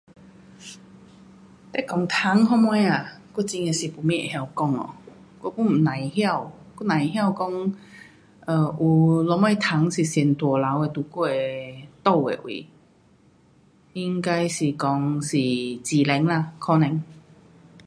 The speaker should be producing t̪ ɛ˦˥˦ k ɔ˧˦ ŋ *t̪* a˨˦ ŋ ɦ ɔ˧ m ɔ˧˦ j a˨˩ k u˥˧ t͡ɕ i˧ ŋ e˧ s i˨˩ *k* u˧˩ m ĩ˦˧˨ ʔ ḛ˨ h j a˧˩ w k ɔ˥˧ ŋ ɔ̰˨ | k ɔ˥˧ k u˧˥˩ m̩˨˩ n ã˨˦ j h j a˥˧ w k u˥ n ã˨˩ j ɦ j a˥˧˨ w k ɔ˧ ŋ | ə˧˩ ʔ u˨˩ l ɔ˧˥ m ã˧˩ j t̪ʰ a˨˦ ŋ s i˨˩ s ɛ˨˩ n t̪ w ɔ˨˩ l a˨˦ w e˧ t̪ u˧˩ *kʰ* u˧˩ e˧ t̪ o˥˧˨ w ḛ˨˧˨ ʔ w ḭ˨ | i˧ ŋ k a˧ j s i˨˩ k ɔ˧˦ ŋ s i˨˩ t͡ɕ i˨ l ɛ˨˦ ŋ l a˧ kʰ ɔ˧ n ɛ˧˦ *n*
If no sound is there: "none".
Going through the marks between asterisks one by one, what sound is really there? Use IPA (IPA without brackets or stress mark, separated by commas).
t̪ʰ, p, k, ŋ